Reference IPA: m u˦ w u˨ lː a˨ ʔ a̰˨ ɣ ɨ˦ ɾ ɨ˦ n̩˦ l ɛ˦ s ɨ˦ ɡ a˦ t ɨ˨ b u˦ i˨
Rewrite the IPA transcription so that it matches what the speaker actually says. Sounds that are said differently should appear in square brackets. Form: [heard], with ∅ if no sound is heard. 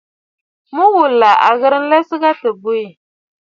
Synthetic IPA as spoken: m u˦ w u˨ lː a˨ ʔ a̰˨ ɣ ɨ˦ ɾ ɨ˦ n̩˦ l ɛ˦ s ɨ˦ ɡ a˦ t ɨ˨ b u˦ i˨